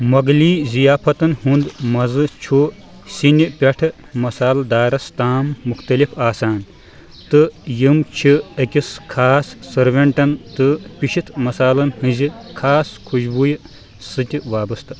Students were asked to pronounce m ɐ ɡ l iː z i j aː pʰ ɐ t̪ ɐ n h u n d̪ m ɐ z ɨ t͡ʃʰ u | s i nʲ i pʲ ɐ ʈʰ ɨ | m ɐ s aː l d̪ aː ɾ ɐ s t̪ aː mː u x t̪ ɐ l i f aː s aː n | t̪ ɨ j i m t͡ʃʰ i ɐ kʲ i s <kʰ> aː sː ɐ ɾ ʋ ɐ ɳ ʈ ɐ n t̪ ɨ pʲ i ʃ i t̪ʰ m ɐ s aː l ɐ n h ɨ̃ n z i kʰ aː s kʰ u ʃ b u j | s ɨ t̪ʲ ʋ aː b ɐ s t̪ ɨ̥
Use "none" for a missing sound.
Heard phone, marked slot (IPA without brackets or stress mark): kʰ